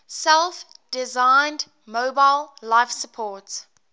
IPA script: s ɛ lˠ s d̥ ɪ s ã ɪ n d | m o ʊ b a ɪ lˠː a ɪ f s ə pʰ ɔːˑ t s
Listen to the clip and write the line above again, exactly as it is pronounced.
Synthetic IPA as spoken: s ɛ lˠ f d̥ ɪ z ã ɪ n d | m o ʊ b a ɪ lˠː a ɪ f s ə pʰ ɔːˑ t s